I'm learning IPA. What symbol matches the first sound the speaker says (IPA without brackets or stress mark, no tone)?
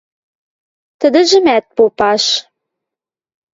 t̪